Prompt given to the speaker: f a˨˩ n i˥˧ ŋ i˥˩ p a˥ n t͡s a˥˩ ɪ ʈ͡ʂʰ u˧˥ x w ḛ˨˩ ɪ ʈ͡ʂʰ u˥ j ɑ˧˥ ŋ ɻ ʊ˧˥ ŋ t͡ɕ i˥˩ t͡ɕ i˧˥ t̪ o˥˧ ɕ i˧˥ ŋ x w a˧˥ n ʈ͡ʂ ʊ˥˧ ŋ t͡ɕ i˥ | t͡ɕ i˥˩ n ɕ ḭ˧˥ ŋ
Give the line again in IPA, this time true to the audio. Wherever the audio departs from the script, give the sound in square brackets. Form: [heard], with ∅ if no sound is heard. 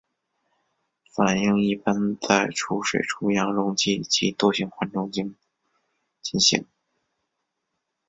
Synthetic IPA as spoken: f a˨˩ n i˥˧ ŋ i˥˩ p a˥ n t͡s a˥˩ ɪ ʈ͡ʂʰ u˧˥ [ʂ] w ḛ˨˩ ɪ ʈ͡ʂʰ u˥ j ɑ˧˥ ŋ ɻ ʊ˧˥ ŋ t͡ɕ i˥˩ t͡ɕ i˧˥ t̪ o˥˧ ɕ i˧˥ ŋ x w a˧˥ n ʈ͡ʂ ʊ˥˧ ŋ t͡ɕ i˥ | t͡ɕ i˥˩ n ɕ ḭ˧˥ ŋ